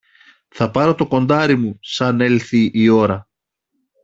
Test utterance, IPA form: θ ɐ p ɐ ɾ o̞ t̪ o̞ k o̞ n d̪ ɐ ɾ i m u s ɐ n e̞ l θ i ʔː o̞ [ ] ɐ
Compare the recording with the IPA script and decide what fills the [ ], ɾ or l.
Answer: ɾ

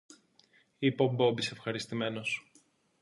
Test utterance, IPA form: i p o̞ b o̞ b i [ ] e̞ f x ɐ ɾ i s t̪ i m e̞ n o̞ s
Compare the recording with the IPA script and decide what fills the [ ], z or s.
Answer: s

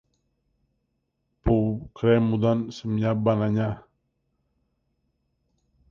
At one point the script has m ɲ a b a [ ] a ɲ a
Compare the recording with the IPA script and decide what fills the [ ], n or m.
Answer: n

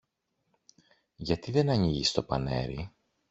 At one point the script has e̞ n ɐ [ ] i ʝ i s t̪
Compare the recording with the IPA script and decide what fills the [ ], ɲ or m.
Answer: ɲ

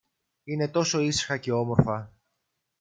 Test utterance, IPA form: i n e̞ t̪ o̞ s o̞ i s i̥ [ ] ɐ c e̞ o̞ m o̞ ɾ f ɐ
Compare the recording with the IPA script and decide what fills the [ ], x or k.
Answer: x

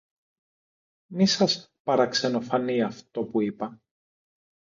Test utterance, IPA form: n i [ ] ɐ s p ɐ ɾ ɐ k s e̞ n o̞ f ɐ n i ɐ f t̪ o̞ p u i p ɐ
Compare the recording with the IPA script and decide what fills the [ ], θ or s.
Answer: s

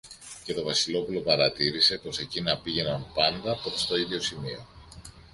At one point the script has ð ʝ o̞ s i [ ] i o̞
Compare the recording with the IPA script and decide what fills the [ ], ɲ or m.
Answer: m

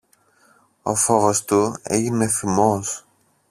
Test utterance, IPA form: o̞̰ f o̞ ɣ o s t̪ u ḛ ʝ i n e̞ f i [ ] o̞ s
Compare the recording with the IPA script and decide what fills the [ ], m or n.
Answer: m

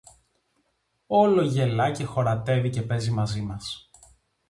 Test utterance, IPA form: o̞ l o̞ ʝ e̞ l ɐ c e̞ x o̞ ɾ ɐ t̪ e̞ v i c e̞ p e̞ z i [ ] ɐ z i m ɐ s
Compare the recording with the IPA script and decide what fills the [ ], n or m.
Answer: m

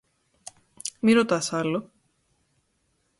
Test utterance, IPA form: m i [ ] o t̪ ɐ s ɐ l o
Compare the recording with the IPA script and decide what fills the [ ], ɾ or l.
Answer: ɾ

